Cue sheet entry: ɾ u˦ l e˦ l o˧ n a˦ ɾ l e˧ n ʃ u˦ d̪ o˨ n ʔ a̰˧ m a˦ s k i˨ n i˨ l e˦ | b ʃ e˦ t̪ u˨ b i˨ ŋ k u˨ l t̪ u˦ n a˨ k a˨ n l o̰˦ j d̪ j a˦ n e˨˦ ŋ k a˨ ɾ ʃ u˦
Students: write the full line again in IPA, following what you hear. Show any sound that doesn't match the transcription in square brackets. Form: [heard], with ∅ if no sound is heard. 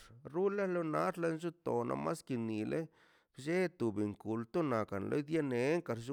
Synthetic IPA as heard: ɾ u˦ l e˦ l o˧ n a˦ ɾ l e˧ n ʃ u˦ [t̪] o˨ n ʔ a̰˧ m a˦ s k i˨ n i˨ l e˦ | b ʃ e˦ t̪ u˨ b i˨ ŋ k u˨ l t̪ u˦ n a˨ k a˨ n l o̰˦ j d̪ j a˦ n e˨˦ ŋ k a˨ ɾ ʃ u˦